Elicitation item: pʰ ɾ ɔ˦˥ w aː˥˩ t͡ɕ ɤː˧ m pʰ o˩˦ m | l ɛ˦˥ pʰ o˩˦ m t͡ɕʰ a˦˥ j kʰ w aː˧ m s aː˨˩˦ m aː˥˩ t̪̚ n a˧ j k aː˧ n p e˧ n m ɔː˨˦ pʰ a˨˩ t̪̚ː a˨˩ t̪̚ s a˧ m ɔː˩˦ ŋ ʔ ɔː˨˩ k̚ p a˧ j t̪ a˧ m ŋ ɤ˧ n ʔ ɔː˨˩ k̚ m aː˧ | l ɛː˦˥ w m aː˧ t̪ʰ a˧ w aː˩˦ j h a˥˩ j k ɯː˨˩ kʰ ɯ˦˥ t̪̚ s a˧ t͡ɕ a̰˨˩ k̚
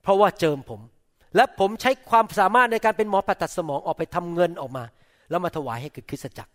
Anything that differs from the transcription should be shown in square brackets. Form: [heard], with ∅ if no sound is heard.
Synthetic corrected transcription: pʰ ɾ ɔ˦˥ w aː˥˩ t͡ɕ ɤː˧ m pʰ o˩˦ m | l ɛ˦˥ pʰ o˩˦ m t͡ɕʰ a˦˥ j kʰ w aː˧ m s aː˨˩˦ m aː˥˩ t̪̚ n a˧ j k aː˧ n p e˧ n m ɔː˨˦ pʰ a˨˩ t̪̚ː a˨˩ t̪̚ s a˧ m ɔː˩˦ ŋ ʔ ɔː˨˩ k̚ p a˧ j [t̪ʰ] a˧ m ŋ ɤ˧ n ʔ ɔː˨˩ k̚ m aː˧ | l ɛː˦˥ w m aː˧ t̪ʰ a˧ w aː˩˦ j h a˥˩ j k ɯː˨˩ kʰ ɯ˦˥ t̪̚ s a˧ t͡ɕ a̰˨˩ k̚